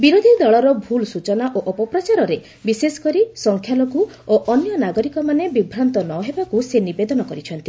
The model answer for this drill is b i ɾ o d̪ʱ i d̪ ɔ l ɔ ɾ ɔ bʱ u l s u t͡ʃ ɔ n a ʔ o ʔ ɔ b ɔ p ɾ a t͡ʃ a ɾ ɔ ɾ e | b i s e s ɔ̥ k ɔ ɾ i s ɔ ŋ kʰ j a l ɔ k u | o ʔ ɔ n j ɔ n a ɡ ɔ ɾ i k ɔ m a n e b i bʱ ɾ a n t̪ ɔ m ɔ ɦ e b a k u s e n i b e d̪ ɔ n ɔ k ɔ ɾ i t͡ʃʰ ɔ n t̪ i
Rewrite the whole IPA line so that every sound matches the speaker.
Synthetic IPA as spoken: b i ɾ o d̪ʱ i d̪ ɔ ɭ ɔ ɾ ɔ bʱ u l s u t͡ʃ ɔ n a ʔ o ʔ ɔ p ɔ p ɾ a t͡ʃ a ɾ ɔ ɾ e | b i s e s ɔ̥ k ɔ ɾ i s ɔ ŋ kʰ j a l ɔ k u | o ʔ ɔ n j ɔ n a ɡ ɔ ɾ i k ɔ m a n e b i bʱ ɾ a n t̪ ɔ n ɔ ɦ e b a k u s e n i b e d̪ ɔ n ɔ k ɔ ɾ i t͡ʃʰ ɔ n t̪ i